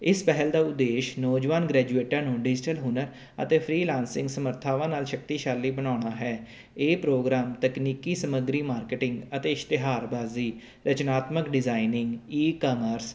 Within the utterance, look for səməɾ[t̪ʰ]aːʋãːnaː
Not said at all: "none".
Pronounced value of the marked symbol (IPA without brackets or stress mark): t̪ʰ